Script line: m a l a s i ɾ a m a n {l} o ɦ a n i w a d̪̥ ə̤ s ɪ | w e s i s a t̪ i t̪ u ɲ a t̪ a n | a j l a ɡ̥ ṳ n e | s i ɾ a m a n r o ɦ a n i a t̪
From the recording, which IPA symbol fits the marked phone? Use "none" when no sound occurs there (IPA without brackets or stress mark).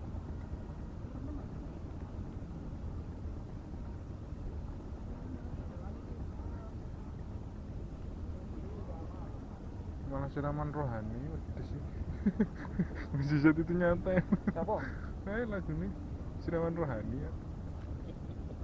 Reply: r